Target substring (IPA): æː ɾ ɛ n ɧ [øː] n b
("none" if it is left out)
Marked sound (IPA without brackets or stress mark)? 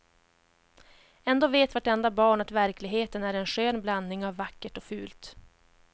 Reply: øː